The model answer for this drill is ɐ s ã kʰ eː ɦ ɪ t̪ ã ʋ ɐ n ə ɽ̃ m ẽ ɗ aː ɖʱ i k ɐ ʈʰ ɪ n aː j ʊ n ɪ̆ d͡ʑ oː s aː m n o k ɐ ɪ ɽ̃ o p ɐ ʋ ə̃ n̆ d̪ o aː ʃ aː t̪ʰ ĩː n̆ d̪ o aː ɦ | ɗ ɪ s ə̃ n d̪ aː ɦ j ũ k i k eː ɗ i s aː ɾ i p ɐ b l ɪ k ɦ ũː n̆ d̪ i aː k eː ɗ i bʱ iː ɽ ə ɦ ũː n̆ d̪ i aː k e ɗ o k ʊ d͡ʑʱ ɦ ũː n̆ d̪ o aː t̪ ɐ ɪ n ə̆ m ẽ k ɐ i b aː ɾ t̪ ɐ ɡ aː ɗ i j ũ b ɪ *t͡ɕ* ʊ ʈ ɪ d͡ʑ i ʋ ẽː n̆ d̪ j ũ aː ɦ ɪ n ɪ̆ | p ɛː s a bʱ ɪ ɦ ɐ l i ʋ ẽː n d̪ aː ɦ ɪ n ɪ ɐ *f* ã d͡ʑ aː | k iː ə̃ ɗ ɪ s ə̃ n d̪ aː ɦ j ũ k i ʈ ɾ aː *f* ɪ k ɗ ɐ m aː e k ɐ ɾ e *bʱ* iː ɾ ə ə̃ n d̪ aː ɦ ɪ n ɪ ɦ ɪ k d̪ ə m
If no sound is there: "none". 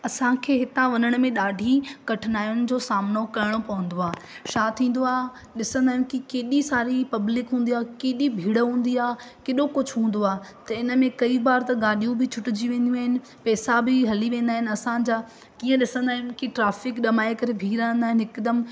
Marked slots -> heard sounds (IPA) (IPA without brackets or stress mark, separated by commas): t͡ɕʰ, s, f, bʱ